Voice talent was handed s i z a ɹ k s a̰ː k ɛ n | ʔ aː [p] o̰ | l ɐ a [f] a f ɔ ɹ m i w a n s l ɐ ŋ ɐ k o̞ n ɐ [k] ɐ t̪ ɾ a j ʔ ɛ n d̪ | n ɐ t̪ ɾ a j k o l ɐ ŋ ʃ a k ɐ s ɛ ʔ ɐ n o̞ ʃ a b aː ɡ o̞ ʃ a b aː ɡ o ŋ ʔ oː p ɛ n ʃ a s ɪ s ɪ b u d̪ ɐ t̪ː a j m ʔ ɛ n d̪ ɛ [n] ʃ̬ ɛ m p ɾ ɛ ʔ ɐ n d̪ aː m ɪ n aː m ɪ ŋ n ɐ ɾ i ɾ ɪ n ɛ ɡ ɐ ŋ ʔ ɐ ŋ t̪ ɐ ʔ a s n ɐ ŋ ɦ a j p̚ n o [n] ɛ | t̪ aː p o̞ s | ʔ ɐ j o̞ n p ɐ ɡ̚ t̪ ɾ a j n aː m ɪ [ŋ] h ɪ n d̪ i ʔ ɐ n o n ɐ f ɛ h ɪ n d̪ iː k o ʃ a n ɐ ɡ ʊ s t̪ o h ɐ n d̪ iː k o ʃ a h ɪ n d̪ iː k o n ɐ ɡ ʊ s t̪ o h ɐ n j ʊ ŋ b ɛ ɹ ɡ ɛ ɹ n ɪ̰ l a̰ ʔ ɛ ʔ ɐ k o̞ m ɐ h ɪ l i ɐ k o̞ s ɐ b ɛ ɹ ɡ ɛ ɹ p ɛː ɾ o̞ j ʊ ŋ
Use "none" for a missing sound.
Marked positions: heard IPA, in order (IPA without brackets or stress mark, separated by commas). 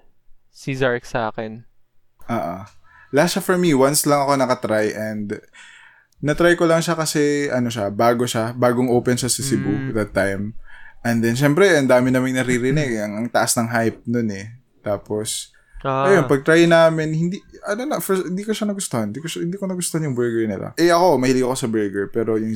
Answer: ʔ, ʃ, k, n, n, n